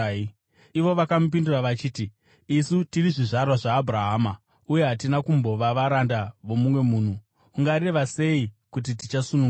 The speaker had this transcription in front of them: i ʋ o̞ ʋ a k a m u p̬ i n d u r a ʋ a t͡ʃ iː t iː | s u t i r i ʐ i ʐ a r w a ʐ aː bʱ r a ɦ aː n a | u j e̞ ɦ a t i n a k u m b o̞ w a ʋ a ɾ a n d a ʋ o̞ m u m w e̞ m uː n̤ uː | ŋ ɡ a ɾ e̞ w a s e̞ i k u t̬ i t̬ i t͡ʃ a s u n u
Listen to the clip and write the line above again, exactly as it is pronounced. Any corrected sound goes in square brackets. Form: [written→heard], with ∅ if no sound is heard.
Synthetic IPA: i ʋ o̞ ʋ a k a m u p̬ i n d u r a ʋ a t͡ʃ iː t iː | s u t i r i ʐ i ʐ a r w a ʐ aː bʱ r a ɦ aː [n→m] a | u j e̞ ɦ a t i n a k u m b o̞ [w→ʋ] a ʋ a ɾ a n d a ʋ o̞ m u m w e̞ m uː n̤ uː | ŋ ɡ a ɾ e̞ [w→ʋ] a s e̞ i k u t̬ i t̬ i t͡ʃ a s u n u